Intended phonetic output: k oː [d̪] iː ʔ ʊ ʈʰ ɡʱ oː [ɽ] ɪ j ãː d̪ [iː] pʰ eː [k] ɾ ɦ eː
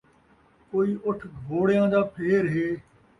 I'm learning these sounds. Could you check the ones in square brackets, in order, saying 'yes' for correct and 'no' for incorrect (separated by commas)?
no, yes, no, no